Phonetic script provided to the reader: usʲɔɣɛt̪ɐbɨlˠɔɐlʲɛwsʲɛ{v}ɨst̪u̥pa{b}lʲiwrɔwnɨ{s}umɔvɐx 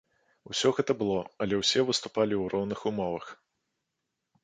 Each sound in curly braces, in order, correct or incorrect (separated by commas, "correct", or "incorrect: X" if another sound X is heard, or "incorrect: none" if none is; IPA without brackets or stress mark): correct, incorrect: none, incorrect: x